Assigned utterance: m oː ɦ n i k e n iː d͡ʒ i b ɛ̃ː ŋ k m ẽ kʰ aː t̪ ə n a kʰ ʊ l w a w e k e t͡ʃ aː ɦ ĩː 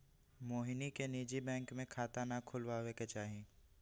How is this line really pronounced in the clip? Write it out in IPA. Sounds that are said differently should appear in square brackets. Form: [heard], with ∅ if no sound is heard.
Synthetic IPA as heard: m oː ɦ n i k e n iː d͡ʒ i b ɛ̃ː ŋ k m ẽ kʰ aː t̪ [a] n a kʰ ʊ l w a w e k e t͡ʃ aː ɦ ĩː